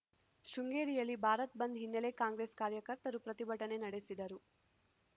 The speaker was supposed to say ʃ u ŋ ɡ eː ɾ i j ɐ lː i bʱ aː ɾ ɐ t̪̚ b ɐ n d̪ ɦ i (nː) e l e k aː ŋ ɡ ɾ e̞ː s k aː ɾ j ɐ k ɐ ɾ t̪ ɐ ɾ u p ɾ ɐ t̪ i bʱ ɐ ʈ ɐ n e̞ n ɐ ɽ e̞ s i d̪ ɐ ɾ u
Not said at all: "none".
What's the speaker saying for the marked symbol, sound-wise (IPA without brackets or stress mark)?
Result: nː